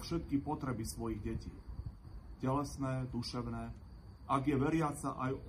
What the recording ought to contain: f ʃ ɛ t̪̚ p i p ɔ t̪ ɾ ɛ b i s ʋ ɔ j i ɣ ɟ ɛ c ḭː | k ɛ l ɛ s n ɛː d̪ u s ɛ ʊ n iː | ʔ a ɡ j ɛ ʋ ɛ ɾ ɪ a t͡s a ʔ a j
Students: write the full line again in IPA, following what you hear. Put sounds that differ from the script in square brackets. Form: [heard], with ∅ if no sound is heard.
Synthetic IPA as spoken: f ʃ ɛ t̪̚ [k] i p ɔ t̪ ɾ ɛ b i s ʋ ɔ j i ɣ ɟ ɛ c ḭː | [c] ɛ l ɛ s n ɛː d̪ u [ʃ] ɛ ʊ n [ɛː] | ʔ a ɡ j ɛ ʋ ɛ ɾ ɪ a t͡s a ʔ a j